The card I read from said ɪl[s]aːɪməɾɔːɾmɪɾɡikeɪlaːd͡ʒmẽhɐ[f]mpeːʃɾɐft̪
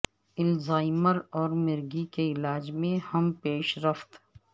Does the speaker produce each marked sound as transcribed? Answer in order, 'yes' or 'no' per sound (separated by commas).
no, no